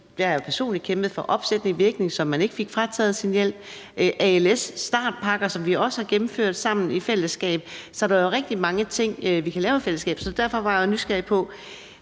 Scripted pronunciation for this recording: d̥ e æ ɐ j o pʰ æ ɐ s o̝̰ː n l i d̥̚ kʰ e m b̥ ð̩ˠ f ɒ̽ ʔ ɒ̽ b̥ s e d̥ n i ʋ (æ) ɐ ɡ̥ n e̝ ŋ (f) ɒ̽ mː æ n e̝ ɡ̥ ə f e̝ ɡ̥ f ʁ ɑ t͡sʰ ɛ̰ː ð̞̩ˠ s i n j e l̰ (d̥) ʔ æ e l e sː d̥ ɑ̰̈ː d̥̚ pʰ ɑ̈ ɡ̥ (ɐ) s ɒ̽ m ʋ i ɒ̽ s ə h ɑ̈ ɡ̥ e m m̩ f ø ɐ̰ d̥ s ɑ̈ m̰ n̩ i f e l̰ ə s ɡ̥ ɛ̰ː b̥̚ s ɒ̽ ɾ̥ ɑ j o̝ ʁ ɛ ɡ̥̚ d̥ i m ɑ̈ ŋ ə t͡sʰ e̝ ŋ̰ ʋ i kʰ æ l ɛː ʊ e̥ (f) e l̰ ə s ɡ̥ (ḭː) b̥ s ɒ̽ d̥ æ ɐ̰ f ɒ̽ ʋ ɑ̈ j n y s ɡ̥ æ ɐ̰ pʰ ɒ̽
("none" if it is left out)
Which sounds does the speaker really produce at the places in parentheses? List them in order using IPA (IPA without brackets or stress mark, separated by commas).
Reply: i, s, b̥, ɐ, f, ɛ̰ː